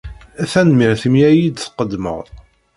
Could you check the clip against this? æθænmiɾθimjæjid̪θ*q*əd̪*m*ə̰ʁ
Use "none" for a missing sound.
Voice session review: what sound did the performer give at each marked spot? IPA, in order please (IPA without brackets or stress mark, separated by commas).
q, m